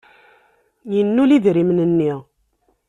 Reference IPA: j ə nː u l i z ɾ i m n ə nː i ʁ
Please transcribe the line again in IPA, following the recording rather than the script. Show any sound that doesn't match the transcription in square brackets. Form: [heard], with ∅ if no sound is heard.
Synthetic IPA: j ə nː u l i [ð] ɾ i m n ə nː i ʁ